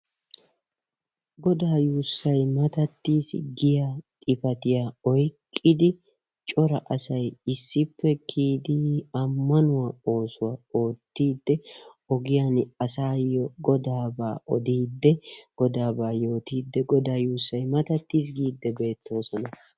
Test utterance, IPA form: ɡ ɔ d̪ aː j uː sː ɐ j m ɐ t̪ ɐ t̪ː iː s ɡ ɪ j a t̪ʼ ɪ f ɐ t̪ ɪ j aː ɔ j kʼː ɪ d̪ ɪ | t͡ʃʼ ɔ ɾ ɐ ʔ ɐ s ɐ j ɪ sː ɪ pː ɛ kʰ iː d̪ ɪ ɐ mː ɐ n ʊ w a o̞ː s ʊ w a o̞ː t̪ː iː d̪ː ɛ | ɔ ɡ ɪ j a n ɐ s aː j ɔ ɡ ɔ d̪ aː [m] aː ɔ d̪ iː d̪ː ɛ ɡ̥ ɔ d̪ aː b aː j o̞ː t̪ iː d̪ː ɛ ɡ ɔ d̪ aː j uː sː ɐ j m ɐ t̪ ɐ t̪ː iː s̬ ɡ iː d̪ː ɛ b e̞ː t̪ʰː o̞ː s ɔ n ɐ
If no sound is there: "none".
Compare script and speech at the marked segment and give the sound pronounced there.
b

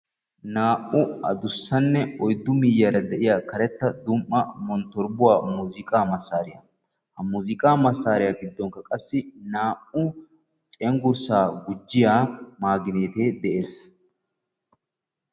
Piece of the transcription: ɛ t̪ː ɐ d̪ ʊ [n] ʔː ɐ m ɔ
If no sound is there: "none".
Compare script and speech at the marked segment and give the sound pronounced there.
m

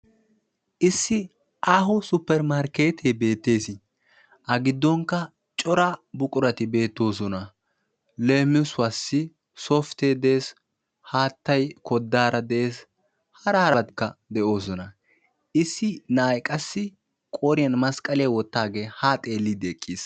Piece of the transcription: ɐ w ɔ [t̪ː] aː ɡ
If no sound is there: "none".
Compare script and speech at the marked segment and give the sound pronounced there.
t̪ː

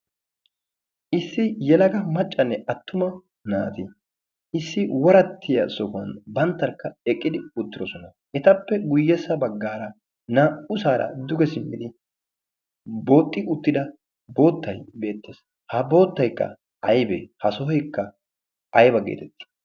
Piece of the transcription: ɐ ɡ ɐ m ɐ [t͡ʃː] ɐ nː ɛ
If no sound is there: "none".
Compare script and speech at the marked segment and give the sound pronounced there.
t͡ʃʼː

